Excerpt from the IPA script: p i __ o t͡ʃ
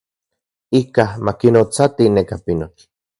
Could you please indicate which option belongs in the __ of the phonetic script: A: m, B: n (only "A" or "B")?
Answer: B